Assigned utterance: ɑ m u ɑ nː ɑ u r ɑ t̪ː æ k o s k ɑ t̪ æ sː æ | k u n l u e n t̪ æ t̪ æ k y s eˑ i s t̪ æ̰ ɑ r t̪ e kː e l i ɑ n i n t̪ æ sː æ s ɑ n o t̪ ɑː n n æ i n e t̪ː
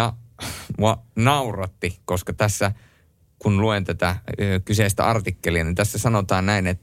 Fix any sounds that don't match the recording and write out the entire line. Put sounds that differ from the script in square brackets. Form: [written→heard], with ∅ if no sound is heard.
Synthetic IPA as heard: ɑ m u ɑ [nː→n] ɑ u r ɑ t̪ː [æ→i] k o s k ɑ t̪ æ sː æ | k u n l u e n t̪ æ t̪ æ k y s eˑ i s t̪ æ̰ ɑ r t̪ [e→i] kː e l i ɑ n i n t̪ æ sː æ s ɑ n o t̪ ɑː n n æ i n e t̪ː